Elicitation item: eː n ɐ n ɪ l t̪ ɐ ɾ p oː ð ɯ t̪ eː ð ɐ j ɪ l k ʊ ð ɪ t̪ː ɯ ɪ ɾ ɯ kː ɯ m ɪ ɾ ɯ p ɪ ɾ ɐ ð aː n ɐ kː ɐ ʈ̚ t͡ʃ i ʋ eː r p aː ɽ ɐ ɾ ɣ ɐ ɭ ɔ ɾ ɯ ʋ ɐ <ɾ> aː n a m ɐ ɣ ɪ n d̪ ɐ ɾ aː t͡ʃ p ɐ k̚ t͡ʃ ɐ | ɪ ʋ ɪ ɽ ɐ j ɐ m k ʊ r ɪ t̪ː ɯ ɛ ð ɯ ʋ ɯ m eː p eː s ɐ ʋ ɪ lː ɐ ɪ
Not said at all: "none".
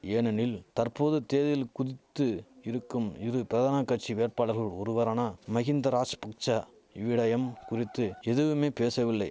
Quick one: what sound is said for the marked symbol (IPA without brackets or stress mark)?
ɾ